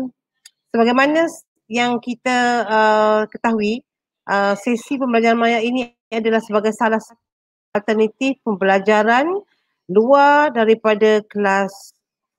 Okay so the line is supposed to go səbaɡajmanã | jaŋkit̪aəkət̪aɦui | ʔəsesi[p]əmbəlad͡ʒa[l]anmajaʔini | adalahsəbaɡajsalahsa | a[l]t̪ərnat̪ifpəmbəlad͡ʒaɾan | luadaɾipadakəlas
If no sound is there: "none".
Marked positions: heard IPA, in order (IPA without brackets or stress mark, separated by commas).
p, ɾ, l